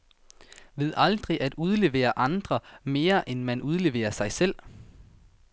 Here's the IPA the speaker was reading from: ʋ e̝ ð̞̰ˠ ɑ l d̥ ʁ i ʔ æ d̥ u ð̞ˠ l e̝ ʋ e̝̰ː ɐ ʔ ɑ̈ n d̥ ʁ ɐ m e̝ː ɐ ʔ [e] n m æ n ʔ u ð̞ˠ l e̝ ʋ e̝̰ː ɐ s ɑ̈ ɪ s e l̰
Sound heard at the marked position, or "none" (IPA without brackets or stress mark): e